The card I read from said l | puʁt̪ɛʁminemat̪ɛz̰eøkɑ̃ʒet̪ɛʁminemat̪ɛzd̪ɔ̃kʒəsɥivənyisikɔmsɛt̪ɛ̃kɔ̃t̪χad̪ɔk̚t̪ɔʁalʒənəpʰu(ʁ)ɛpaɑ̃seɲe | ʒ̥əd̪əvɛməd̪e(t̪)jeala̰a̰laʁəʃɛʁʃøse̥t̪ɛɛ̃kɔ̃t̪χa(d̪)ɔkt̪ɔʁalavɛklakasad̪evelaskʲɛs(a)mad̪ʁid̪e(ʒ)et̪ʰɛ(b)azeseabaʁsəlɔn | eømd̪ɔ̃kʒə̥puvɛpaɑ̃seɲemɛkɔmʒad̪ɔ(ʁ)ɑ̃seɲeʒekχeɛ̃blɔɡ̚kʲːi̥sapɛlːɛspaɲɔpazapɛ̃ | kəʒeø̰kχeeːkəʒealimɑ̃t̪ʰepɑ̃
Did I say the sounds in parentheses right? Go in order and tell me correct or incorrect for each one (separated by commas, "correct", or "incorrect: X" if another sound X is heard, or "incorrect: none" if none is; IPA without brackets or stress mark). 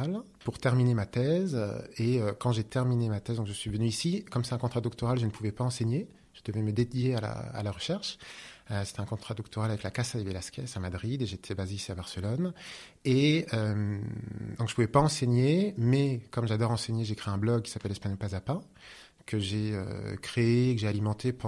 incorrect: v, incorrect: d̪, correct, correct, correct, correct, correct